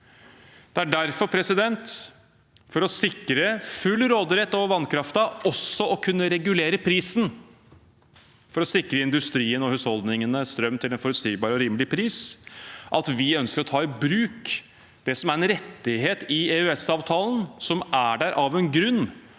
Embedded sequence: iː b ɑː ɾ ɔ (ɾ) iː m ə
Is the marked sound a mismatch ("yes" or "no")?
no